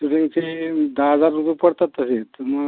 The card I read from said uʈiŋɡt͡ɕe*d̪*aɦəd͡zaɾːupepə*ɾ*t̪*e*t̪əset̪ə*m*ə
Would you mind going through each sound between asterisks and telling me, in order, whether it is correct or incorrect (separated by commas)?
correct, incorrect, incorrect, correct